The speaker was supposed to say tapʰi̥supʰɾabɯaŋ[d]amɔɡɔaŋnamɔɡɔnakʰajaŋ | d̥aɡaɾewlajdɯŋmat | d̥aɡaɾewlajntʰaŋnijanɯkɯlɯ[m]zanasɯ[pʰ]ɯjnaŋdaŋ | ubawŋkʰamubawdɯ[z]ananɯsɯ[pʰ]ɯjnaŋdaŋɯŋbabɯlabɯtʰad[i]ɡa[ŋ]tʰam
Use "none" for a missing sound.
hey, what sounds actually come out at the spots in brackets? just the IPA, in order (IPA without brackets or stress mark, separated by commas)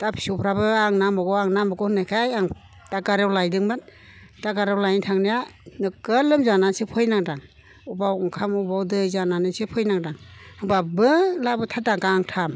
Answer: n, m, pʰ, z, pʰ, a, ŋ